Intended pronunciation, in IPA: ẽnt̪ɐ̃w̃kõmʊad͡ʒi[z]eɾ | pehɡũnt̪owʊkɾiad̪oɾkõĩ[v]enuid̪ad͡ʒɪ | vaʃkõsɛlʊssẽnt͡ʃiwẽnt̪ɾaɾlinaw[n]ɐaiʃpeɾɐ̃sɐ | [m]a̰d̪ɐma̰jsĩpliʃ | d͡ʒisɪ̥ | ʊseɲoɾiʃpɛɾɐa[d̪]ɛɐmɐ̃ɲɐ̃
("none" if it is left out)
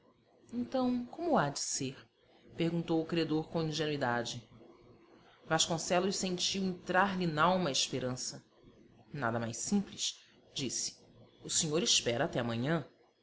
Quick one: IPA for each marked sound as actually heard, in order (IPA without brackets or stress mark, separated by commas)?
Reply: s, ʒ, m, n, t̪